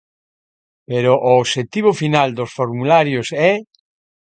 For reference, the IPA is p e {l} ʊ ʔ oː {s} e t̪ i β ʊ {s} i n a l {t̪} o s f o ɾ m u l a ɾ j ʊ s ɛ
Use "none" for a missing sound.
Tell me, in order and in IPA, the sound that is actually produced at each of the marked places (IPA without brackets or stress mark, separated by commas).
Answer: ɾ, ʃ, f, d̪